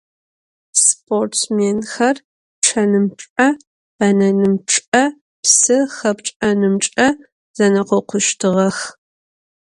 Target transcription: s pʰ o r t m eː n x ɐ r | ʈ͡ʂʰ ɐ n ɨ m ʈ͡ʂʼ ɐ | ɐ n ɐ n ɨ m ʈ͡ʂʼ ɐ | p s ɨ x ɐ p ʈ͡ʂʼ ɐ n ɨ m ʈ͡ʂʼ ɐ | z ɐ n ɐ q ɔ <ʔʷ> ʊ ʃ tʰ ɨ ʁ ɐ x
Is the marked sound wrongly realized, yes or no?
yes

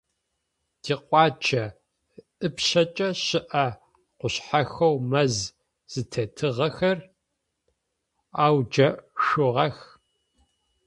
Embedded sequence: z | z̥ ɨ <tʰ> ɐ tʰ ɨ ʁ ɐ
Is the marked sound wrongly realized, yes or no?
no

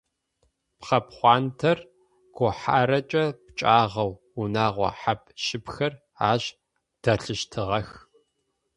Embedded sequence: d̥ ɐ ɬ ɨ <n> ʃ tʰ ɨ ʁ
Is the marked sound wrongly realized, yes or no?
yes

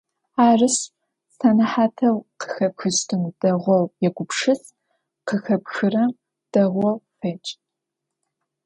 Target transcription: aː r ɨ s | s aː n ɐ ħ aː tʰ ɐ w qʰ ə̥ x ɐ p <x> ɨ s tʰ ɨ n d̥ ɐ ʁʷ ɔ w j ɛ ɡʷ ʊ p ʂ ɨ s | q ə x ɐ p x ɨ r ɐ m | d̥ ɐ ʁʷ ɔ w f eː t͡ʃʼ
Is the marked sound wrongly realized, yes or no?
no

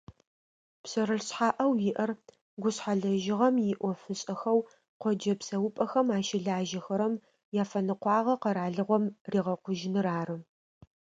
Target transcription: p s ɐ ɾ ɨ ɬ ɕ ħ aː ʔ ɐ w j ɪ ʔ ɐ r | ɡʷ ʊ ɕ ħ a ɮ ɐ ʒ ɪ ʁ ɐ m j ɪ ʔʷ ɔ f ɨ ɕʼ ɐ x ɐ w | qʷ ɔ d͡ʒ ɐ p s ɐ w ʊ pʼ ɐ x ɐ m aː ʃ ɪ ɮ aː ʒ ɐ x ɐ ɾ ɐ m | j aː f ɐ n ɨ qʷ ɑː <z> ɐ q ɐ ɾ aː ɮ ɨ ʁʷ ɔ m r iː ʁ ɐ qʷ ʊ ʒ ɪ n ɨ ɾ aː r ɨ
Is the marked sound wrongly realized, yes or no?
yes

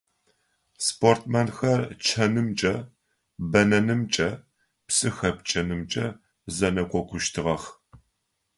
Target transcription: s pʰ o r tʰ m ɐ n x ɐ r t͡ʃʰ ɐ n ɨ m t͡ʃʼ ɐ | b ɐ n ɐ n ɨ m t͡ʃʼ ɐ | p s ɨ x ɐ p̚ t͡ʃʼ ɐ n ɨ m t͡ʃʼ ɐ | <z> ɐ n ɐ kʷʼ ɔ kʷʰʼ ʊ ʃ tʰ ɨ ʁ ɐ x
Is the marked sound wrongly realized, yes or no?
no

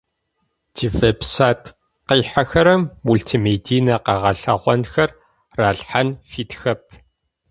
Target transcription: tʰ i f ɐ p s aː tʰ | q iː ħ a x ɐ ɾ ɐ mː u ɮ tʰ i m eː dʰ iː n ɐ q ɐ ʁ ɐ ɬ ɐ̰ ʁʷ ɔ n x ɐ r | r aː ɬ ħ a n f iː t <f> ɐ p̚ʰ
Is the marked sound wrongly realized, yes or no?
yes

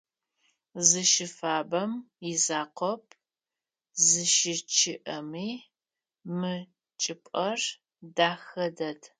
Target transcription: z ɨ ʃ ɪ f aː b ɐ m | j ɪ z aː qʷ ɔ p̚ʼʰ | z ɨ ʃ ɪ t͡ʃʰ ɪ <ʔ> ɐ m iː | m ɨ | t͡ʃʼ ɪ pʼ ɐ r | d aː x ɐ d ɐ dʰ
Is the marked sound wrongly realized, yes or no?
no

